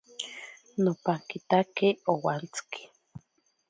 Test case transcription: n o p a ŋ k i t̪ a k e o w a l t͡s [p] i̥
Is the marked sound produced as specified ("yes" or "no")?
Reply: no